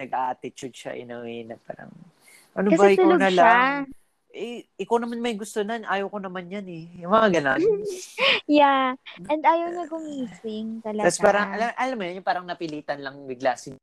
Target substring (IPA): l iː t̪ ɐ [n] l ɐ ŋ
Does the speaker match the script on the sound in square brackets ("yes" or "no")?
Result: yes